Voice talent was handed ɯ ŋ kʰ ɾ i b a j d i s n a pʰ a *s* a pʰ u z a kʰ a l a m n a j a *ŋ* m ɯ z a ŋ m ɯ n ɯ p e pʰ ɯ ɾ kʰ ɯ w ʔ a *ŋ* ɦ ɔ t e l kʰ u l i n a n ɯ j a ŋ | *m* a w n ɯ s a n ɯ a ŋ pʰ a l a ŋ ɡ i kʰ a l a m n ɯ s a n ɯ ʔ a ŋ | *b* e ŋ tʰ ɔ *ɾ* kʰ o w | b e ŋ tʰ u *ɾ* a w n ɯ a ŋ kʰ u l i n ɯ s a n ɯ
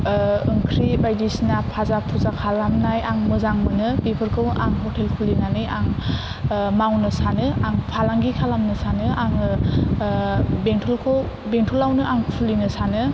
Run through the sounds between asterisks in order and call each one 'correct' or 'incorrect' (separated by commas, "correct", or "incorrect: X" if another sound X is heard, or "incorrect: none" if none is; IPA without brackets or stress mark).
incorrect: z, correct, correct, correct, correct, incorrect: l, incorrect: l